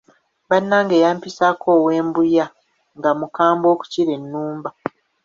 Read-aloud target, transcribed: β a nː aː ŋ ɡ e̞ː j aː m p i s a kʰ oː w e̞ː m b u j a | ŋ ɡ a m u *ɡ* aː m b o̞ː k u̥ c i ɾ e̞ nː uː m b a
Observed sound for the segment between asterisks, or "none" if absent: k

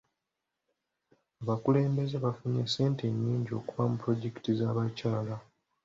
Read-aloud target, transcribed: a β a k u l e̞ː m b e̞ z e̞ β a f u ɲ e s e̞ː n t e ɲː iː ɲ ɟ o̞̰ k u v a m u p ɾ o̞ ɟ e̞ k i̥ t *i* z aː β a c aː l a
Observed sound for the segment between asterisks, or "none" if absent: i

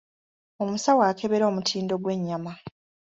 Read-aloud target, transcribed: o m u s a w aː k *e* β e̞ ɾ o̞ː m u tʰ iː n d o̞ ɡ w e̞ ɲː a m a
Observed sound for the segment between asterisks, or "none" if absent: e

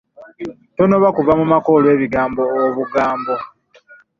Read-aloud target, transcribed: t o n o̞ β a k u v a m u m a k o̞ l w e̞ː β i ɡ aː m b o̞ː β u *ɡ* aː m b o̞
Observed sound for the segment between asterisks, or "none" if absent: ɡ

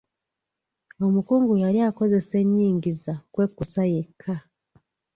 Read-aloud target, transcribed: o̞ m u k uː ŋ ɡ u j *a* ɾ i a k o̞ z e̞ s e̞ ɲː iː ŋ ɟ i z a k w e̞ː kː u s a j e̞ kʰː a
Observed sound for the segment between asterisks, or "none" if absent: a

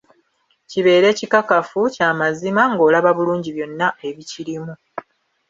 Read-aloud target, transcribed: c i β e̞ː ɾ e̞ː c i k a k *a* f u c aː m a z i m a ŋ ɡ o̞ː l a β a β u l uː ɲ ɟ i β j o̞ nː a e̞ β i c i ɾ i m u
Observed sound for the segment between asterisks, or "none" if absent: a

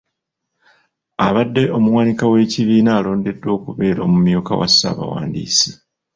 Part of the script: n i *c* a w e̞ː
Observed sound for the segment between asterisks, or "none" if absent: k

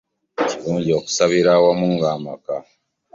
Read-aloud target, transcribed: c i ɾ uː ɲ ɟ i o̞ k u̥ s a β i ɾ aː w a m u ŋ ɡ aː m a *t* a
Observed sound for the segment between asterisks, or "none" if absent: k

